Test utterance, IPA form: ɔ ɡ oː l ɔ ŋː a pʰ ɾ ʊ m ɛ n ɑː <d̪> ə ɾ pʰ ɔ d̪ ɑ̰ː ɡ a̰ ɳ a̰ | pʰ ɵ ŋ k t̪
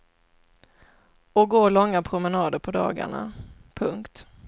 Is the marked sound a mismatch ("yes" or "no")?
no